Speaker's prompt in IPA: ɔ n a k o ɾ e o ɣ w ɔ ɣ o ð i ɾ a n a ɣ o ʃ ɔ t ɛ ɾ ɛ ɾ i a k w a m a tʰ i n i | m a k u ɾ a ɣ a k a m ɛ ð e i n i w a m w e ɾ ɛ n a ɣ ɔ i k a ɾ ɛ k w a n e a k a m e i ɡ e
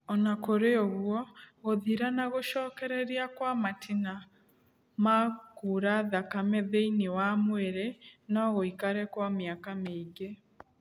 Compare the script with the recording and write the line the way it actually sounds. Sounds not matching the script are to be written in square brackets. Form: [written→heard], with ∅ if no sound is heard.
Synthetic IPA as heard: ɔ n a k o ɾ e o ɣ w ɔ ɣ o ð i ɾ a n a ɣ o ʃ ɔ [t→k] ɛ ɾ ɛ ɾ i a k w a m a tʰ i n [i→a] | m a k u ɾ a [ɣ→ð] a k a m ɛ ð e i n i w a m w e ɾ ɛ n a ɣ [ɔ→o] i k a ɾ ɛ k w a [n→m] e a k a m e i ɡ e